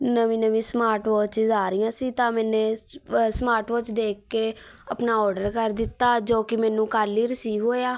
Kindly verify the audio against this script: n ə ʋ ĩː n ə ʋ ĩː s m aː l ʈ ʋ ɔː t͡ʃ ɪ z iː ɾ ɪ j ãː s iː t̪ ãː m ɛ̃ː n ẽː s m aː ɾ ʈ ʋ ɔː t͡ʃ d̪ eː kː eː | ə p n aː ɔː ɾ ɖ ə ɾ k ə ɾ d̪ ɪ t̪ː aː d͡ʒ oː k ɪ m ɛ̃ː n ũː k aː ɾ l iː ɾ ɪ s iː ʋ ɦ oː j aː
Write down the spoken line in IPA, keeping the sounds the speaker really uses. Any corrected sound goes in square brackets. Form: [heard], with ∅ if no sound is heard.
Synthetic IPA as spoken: n ə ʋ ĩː n ə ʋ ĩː s m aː [ɾ] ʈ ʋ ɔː t͡ʃ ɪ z [aː] ɾ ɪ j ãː s iː t̪ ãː m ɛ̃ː n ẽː s m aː ɾ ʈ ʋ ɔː t͡ʃ d̪ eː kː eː | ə p n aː ɔː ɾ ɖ ə ɾ k ə ɾ d̪ ɪ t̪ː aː d͡ʒ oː k ɪ m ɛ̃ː n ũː k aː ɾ l iː ɾ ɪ s iː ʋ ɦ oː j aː